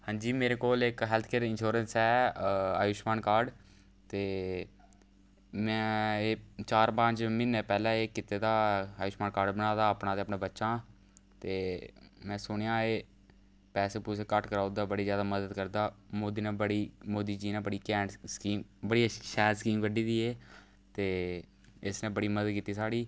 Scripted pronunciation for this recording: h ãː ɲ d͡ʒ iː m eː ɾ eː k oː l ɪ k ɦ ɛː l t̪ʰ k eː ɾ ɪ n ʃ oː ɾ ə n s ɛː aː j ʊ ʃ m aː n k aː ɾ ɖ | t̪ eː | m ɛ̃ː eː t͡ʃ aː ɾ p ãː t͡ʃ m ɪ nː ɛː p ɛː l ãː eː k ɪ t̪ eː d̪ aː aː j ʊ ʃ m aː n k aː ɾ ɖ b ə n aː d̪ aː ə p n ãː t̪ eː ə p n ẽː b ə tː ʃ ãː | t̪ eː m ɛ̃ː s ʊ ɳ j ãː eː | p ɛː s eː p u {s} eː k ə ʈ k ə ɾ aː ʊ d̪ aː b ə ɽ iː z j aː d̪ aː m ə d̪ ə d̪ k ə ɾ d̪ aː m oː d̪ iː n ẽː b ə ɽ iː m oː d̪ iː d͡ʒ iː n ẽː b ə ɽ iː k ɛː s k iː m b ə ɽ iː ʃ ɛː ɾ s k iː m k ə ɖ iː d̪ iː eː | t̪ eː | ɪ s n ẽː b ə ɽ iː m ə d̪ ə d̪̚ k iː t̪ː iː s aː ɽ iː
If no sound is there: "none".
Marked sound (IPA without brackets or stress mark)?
s